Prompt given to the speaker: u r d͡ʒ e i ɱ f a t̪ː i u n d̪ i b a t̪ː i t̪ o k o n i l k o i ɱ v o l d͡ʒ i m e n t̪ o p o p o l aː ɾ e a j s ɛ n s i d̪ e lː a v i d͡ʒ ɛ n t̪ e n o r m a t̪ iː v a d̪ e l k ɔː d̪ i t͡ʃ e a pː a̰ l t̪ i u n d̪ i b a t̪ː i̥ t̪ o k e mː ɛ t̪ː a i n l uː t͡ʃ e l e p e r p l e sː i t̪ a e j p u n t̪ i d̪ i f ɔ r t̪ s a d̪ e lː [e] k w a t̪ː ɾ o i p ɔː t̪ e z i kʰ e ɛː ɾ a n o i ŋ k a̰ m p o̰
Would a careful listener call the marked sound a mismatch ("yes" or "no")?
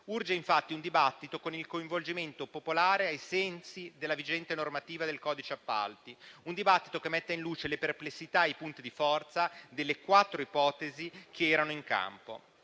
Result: no